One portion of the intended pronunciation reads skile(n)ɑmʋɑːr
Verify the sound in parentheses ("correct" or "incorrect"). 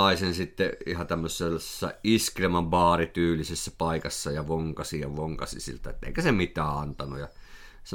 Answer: incorrect